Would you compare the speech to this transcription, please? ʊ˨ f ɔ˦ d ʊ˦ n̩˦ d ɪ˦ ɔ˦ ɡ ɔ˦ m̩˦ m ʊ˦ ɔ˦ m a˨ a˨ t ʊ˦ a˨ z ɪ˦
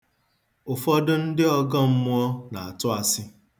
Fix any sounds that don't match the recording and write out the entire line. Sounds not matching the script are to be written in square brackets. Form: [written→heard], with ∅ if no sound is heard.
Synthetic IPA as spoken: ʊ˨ f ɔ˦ d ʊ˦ n̩˦ d ɪ˦ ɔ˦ ɡ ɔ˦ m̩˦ m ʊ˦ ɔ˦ [m→n] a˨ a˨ t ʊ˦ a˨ [z→s] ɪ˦